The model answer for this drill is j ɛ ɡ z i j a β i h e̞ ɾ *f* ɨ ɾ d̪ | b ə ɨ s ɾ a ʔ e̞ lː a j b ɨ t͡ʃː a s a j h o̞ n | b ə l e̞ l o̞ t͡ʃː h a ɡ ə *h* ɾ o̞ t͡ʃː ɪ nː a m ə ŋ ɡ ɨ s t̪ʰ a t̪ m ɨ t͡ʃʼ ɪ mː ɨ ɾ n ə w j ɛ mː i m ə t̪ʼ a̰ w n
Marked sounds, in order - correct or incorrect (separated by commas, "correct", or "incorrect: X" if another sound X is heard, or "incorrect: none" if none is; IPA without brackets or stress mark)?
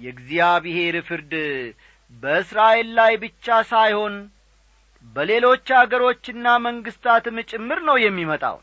correct, incorrect: none